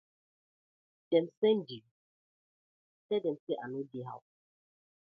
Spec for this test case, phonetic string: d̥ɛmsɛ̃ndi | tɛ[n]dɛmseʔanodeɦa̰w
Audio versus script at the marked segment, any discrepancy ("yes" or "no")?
yes